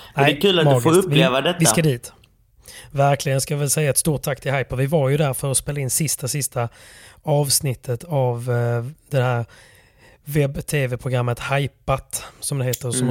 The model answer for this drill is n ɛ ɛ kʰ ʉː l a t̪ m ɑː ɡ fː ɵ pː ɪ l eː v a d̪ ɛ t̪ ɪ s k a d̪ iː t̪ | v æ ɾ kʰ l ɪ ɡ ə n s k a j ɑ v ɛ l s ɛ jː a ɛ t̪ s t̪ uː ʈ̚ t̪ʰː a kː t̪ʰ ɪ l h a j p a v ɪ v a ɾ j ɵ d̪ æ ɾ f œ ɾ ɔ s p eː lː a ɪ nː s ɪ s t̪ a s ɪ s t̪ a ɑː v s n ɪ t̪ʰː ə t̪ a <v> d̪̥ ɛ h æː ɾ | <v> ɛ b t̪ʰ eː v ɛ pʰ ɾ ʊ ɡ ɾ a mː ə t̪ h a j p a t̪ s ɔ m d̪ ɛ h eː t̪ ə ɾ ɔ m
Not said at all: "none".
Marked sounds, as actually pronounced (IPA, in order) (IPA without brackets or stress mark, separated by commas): v, v